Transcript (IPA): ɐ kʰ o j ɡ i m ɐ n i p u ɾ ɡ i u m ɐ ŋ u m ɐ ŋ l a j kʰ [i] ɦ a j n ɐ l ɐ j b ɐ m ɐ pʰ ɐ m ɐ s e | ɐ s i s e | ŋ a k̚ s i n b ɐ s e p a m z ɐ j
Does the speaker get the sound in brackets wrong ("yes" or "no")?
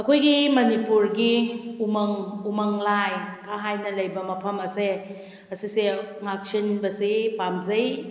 yes